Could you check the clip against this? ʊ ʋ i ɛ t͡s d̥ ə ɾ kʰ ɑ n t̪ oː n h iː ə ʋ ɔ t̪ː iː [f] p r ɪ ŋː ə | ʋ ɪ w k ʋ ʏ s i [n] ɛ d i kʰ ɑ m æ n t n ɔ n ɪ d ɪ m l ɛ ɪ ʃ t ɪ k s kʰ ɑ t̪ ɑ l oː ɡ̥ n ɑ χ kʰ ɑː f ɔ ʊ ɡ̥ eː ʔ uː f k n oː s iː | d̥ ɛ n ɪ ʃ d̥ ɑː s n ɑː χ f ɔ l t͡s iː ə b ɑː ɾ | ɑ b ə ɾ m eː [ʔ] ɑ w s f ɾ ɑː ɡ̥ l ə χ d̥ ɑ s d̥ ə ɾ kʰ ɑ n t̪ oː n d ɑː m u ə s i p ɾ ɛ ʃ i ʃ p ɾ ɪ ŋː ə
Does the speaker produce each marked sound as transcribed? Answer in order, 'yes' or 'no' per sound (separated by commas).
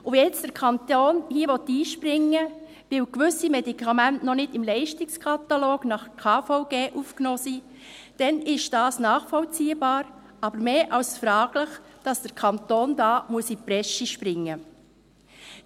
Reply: no, no, yes